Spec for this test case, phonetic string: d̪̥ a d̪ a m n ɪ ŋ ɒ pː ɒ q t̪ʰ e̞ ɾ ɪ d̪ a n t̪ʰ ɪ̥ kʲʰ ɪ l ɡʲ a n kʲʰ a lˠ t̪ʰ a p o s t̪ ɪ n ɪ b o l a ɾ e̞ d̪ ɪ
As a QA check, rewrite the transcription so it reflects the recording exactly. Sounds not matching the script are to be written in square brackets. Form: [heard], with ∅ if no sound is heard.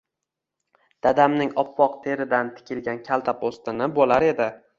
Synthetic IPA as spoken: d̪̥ a d̪ a m n ɪ ŋ ɒ pː ɒ q t̪ʰ e̞ ɾ ɪ d̪ a n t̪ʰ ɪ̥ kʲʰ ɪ l ɡʲ a n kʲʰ a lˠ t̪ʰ a p o s t̪ ɪ n ɪ b o l a ɾ e̞ d̪ ɪ